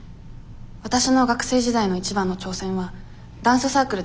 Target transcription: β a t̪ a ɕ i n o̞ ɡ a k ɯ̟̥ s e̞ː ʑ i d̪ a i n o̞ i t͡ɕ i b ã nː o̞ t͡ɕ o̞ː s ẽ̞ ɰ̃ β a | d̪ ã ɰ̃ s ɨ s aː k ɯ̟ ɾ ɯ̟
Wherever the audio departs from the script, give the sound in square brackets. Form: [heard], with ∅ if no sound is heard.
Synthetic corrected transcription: β a t̪ a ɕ i n o̞ ɡ a k ɯ̟̥ s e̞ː ʑ i d̪ a i n o̞ i t͡ɕ i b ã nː o̞ t͡ɕ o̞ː s ẽ̞ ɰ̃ β a | d̪ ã ɰ̃ s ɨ s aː k ɯ̟ ɾ ɯ̟